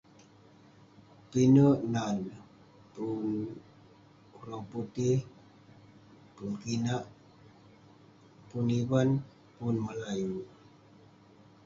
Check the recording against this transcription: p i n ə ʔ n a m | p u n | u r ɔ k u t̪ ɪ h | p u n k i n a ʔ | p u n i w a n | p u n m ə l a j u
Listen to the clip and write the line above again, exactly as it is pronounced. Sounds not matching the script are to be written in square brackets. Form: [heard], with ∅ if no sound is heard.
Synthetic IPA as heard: p i n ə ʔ n a [n] | p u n | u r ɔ [p] u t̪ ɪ h | p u n k i n a ʔ | p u n i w a n | p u n m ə l a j u